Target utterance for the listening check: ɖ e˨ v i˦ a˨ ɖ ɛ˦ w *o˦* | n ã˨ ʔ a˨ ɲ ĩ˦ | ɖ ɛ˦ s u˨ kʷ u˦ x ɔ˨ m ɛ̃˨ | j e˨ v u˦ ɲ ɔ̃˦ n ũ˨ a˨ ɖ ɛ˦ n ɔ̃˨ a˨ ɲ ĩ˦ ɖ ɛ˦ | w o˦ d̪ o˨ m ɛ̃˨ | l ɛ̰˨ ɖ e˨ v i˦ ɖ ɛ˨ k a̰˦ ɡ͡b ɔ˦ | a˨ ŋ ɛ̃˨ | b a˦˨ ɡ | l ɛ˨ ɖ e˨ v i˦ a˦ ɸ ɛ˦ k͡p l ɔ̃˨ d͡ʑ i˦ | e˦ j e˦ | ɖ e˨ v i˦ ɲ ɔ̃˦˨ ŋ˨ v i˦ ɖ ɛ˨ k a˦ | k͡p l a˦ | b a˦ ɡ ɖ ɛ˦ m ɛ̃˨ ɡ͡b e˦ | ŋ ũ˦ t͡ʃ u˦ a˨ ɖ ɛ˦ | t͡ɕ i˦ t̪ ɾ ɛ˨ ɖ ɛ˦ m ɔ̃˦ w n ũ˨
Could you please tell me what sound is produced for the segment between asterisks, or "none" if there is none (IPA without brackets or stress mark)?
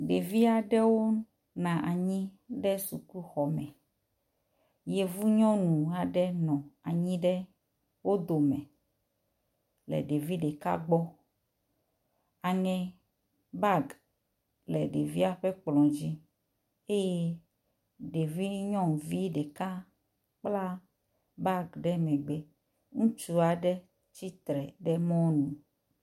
o˦